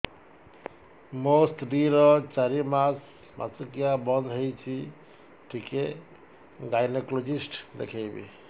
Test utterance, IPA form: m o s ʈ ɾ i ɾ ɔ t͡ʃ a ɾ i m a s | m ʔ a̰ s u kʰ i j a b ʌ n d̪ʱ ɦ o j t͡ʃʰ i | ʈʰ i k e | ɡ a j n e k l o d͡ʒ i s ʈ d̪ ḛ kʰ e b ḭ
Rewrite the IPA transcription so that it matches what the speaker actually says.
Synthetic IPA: m o s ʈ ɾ i ɾ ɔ t͡ʃ a ɾ i m a s | m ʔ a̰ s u k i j a b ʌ n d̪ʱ ɦ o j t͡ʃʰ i | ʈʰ i k e | ɡ a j n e k l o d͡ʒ i s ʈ d̪ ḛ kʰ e b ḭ